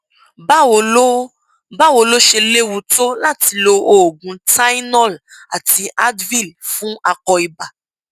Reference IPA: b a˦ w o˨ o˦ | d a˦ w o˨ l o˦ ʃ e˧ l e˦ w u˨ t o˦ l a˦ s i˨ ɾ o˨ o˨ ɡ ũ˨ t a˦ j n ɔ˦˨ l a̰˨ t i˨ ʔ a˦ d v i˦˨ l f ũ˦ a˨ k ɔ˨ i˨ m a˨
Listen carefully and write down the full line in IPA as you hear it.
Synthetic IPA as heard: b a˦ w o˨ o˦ | b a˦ w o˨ l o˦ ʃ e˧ l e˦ w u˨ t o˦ l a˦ t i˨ l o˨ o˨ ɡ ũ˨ t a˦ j n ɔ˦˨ l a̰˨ t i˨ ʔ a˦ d v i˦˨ l f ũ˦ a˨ k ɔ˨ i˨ b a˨

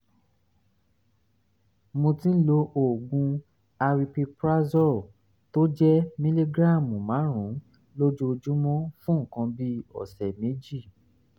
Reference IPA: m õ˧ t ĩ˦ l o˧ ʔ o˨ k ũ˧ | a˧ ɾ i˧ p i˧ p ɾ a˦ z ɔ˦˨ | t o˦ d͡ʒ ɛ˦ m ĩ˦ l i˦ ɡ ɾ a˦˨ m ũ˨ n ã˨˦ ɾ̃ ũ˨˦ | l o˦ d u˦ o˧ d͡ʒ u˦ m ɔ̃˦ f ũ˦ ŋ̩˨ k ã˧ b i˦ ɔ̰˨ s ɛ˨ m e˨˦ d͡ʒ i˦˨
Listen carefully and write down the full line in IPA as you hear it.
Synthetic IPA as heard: m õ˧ t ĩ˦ l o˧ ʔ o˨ ɡ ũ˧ | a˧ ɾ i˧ p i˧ p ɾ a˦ z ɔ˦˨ | t o˦ d͡ʒ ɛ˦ m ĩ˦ l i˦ ɡ ɾ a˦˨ m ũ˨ m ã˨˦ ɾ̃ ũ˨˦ | l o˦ d͡ʒ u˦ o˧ d͡ʒ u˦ m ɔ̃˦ f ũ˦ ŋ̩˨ k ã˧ b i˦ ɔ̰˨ s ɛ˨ m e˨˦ d͡ʒ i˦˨

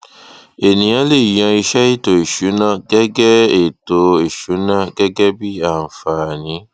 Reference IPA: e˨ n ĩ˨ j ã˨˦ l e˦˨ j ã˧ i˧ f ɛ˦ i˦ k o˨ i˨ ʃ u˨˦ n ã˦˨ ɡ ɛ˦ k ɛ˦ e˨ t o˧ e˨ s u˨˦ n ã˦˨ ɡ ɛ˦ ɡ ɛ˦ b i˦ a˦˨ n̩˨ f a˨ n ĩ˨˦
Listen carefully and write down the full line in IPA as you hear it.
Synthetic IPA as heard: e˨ n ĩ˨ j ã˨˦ l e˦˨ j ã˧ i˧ ʃ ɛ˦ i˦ t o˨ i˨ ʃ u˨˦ n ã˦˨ ɡ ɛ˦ ɡ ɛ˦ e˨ t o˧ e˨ ʃ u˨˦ n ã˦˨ ɡ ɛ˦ ɡ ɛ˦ b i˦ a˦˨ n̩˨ f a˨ n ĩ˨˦

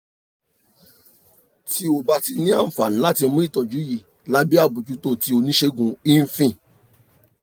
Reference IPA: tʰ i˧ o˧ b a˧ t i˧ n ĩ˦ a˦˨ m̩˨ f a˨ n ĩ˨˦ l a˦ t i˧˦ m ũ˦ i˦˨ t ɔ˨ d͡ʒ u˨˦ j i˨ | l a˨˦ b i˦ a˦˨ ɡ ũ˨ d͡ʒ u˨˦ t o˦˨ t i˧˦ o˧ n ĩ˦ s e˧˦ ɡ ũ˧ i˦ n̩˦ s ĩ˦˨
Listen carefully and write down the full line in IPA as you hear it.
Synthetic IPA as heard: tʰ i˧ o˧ b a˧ t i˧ n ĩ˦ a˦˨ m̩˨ f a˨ n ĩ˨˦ l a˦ t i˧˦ m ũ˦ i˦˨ t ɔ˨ d͡ʒ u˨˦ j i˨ | l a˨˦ b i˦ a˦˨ b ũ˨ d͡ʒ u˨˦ t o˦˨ t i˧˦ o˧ n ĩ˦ ʃ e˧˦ ɡ ũ˧ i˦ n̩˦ f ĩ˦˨

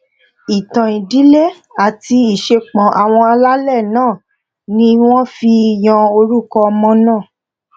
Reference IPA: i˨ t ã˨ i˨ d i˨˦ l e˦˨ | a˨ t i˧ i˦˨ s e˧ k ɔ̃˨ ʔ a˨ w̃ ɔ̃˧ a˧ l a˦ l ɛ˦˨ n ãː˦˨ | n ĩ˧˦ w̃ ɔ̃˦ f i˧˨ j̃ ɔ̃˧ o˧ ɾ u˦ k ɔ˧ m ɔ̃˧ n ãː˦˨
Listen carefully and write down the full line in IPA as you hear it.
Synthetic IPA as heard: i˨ t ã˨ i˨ d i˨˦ l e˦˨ | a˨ t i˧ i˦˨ ʃ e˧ k͡p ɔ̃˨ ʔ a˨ w̃ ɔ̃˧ a˧ l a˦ l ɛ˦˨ n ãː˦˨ | n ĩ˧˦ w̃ ɔ̃˦ f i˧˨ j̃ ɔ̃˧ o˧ ɾ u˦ k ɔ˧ m ɔ̃˧ n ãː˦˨

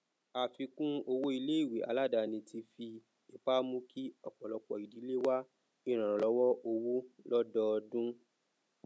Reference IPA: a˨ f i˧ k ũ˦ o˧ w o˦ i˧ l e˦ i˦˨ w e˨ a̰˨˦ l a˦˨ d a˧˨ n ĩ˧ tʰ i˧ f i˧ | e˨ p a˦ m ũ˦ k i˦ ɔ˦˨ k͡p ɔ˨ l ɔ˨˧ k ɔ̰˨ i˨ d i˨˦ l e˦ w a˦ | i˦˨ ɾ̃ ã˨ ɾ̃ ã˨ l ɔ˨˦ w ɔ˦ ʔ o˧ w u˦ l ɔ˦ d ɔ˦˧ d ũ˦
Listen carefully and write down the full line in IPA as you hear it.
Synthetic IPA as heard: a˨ f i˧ k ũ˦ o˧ w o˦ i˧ l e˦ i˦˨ w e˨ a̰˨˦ l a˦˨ d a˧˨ n ĩ˧ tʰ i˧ f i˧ | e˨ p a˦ m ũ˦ k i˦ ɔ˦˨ k͡p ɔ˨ l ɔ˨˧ k͡p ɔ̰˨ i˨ d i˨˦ l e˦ w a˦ | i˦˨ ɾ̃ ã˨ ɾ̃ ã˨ l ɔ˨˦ w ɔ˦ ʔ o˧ w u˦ l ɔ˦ d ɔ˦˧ d ũ˦

